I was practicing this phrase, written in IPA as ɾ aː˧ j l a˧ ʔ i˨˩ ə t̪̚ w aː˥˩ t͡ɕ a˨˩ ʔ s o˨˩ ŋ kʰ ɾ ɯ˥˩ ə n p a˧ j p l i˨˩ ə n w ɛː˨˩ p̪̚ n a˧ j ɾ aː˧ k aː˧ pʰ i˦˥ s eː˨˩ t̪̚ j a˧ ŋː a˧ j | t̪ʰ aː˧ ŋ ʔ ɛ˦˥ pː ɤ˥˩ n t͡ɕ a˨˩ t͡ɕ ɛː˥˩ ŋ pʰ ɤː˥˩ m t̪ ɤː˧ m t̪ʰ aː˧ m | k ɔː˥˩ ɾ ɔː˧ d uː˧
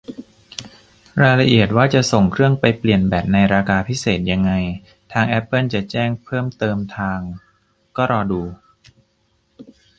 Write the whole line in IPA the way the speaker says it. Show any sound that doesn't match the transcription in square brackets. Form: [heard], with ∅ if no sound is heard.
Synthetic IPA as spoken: ɾ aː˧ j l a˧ ʔ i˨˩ ə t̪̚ w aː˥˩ t͡ɕ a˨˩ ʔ s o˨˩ ŋ kʰ ɾ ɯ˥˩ ə [ŋ] p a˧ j p l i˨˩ ə n [b] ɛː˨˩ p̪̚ n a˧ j ɾ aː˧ k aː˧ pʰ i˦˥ s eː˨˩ t̪̚ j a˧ ŋː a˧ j | t̪ʰ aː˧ ŋ ʔ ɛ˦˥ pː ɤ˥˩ n t͡ɕ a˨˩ t͡ɕ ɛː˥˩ ŋ pʰ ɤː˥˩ m t̪ ɤː˧ m t̪ʰ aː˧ [ŋ] | k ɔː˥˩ ɾ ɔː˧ d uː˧